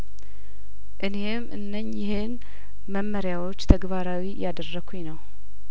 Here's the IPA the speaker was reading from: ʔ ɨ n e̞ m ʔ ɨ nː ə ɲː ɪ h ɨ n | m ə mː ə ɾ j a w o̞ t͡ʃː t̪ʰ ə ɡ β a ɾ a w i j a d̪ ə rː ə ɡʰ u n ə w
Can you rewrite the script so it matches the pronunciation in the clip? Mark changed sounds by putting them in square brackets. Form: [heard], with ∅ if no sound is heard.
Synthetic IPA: ʔ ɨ n e̞ m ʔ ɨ nː ə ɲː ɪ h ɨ n | m ə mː ə ɾ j a w o̞ t͡ʃː t̪ʰ ə ɡ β a ɾ a w i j a d̪ ə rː ə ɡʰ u n ə w